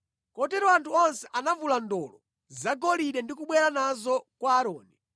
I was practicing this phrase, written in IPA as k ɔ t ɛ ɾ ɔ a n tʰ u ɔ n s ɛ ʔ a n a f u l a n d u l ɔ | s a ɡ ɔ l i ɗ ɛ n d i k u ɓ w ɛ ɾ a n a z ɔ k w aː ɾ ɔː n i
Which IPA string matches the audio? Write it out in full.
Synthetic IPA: k ɔ t ɛ ɾ ɔ a n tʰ u ɔ n s ɛ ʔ a n a v u l a n d ɔ l ɔ | z a ɡ ɔ l i ɗ ɛ n d i k u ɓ w ɛ ɾ a n a z ɔ k w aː ɾ ɔː n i